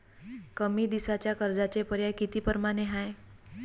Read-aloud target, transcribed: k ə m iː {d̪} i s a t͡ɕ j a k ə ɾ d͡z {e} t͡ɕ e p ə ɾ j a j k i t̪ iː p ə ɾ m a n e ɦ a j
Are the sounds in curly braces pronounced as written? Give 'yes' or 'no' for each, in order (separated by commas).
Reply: yes, no